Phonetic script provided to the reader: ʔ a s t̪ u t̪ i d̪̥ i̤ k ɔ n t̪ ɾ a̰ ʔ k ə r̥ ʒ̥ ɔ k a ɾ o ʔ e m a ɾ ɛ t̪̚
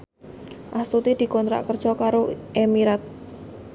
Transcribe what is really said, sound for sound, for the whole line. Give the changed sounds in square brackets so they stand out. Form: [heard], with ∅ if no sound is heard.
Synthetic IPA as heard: ʔ a s t̪ u t̪ i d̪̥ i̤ k ɔ n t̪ ɾ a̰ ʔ k ə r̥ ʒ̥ ɔ k a ɾ o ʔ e m [i] ɾ [a] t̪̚